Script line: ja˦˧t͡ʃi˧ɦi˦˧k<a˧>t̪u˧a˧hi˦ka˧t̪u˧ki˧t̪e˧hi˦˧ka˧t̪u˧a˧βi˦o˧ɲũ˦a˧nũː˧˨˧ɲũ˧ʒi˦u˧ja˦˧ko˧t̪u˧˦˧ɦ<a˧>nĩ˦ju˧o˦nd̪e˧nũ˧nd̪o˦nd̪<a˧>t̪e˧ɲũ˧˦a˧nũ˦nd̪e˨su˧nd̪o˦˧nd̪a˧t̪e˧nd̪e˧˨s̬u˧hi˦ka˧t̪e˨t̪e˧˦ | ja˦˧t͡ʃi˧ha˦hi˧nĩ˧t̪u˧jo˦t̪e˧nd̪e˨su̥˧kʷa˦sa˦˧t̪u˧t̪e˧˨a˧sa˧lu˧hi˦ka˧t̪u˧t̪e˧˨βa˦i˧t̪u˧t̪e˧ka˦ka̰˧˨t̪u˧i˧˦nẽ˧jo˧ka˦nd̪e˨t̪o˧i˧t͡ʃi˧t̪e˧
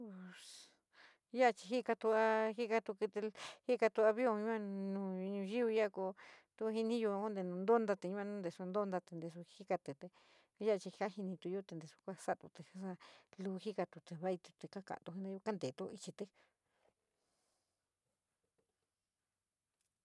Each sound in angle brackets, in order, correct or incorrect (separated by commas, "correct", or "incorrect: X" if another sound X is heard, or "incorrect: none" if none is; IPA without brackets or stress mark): correct, incorrect: i˧, correct